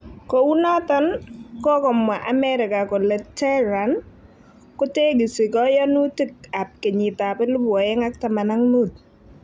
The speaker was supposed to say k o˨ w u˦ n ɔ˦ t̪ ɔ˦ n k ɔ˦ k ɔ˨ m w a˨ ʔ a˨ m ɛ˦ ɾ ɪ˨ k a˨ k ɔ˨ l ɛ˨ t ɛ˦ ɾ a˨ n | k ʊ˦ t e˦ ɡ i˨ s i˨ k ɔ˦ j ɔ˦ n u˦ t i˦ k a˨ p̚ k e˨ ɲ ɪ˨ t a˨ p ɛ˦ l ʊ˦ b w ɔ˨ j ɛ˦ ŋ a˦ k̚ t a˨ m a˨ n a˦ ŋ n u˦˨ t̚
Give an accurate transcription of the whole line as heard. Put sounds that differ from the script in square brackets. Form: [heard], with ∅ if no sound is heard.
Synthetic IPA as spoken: k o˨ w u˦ n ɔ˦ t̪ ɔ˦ n k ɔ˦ k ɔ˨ m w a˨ ʔ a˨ m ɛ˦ ɾ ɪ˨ k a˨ k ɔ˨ l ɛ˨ t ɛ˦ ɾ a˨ n | k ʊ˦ t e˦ ɡ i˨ s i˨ k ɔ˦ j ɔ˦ n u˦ t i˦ k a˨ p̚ k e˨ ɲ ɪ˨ t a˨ p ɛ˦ l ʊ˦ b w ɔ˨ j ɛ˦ ŋ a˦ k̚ t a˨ m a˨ n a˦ ŋ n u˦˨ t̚